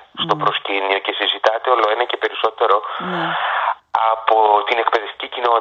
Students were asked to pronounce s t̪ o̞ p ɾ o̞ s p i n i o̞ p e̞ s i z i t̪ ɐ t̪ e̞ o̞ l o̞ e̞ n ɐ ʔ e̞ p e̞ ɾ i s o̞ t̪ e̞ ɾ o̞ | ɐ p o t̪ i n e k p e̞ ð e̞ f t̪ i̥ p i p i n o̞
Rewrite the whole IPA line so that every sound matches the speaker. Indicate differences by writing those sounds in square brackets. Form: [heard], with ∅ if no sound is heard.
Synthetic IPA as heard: s t̪ o̞ p ɾ o̞ s [c] i n i o̞ [c] e̞ s i z i t̪ ɐ t̪ e̞ o̞ l o̞ e̞ n ɐ [c] e̞ p e̞ ɾ i s o̞ t̪ e̞ ɾ o̞ | ɐ p o t̪ i n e k p e̞ ð e̞ f t̪ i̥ [c] i [c] i n o̞